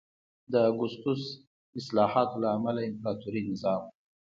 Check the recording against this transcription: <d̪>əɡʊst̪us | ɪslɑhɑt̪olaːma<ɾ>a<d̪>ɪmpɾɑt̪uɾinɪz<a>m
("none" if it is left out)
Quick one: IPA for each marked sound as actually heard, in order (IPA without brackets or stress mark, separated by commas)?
d̪, l, none, ɑ